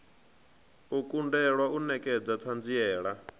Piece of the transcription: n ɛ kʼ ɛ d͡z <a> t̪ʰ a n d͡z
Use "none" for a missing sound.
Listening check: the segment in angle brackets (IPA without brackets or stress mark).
a